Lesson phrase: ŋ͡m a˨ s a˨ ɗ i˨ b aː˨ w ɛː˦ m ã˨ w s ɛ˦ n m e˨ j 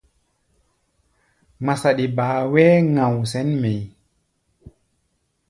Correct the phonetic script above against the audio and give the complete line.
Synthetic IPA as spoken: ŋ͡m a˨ s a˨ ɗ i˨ b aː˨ w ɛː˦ ŋ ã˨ w s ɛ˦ n m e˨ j